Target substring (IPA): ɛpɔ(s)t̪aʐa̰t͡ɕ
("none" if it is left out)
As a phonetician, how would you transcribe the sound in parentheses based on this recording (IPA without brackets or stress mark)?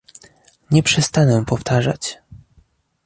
f